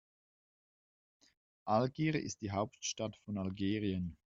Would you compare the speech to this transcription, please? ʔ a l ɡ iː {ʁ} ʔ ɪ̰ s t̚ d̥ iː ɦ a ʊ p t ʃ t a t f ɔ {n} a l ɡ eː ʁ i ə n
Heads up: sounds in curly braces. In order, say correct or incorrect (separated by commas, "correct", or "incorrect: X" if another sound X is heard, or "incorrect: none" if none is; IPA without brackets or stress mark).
correct, correct